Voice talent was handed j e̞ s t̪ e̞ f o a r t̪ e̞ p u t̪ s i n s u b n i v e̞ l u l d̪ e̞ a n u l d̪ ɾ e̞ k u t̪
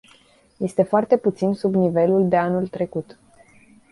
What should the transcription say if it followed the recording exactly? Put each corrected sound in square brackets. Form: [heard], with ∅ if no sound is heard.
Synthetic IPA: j e̞ s t̪ e̞ f o a r t̪ e̞ p u t̪ s i n s u b n i v e̞ l u l d̪ e̞ a n u l [t̪] ɾ e̞ k u t̪